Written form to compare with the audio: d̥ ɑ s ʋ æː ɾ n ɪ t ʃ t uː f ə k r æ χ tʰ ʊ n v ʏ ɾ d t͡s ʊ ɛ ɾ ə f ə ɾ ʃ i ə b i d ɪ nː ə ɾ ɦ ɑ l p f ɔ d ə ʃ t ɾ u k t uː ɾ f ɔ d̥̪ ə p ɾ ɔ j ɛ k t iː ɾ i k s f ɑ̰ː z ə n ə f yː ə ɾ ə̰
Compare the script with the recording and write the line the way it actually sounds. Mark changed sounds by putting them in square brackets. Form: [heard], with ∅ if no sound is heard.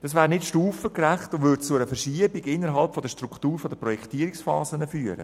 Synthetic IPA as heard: d̥ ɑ s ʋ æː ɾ n ɪ t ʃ t uː f ə k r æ χ [t] ʊ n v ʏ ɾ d t͡s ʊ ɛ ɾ ə f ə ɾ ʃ i ə b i [ɡ] ɪ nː ə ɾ ɦ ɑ l p f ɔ d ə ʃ t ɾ u k t uː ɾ f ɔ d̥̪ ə p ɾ ɔ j ɛ k t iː ɾ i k s f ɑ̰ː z ə n ə f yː ə ɾ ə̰